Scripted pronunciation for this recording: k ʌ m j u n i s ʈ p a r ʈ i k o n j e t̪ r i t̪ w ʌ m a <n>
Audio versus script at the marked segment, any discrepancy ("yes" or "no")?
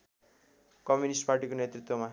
yes